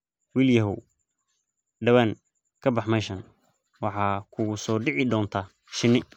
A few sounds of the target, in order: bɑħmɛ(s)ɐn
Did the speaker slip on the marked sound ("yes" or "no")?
yes